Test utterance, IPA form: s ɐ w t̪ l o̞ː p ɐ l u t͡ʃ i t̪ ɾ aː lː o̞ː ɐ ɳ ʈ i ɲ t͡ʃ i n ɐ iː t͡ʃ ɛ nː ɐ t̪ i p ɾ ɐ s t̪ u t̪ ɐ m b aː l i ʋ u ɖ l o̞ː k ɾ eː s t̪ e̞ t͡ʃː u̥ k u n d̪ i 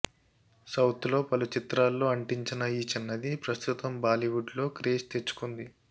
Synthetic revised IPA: s ɐ w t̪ l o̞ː p ɐ l u t͡ʃ i t̪ ɾ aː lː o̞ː ɐ ɳ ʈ i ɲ t͡ʃ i n ɐ iː t͡ʃ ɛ nː ɐ d̪ i p ɾ ɐ s t̪ u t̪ ɐ m b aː l i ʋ u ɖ l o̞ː k ɾ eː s t̪ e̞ t͡ʃː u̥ k u n d̪ i